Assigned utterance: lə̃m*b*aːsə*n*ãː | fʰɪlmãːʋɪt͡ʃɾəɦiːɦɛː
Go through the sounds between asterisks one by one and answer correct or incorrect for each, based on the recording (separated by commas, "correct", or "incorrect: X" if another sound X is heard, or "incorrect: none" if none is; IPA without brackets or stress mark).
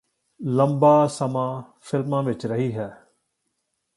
correct, incorrect: m